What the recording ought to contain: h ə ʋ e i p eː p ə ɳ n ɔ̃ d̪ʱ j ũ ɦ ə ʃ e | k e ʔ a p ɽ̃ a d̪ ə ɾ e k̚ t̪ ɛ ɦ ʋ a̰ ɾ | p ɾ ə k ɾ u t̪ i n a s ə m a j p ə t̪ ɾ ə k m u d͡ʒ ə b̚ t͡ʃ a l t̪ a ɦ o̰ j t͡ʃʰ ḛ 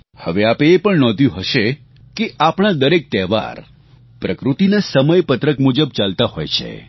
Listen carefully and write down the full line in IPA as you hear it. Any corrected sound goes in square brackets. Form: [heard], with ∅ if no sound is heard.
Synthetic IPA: h ə ʋ e [a] p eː p ə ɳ n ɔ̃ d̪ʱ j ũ ɦ ə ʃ e | k e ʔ a p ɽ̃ a d̪ ə ɾ e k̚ t̪ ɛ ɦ ʋ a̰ ɾ | p ɾ ə k ɾ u t̪ i n a s ə m [ə] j p ə t̪ ɾ ə k m u d͡ʒ ə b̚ t͡ʃ a l t̪ a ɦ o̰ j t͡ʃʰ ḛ

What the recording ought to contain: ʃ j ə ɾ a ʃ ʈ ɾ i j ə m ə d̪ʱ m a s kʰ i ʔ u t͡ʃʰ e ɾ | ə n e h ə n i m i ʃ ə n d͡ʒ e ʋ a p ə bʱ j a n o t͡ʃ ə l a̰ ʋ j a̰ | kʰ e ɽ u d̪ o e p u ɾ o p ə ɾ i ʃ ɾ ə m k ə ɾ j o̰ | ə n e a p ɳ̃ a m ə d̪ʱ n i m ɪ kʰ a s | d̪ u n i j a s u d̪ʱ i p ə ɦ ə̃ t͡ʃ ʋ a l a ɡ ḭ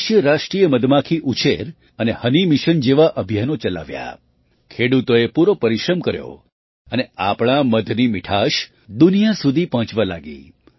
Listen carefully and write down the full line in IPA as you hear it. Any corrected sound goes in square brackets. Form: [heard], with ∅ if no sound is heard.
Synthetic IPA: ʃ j ə ɾ a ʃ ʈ ɾ i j ə m ə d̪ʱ m a [∅] kʰ i ʔ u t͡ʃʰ e ɾ | ə n e h ə n i m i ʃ ə n d͡ʒ e ʋ a [ʔ] ə bʱ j a n o t͡ʃ ə l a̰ ʋ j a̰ | kʰ e ɽ u [t̪] o e p u ɾ o p ə ɾ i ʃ ɾ ə m k ə ɾ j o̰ | ə n e a p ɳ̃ a m ə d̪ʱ n i m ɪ [ʈʰ] a [ʃ] | d̪ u n i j a s u d̪ʱ i p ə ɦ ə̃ t͡ʃ ʋ a l a ɡ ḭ

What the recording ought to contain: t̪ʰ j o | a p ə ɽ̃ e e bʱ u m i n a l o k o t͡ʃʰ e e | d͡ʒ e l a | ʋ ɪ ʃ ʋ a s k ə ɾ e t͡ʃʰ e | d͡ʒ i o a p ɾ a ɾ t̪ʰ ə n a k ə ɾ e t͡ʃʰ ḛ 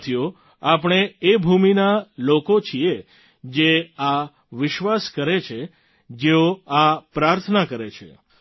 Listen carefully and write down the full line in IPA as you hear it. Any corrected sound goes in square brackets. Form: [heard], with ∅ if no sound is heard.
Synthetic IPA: t̪ʰ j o | a p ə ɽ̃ e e bʱ u m i n a l o k o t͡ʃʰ [i] e | d͡ʒ e [∅] a | ʋ ɪ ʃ ʋ a s k ə ɾ e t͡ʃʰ e | d͡ʒ [e] o a p ɾ a ɾ t̪ʰ ə n a k ə ɾ e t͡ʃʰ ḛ

